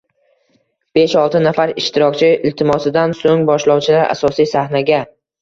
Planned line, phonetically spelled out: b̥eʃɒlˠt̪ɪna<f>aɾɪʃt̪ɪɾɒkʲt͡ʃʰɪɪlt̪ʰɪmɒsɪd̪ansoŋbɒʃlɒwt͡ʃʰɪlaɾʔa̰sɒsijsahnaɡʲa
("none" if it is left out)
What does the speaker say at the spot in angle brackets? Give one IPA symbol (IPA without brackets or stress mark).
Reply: f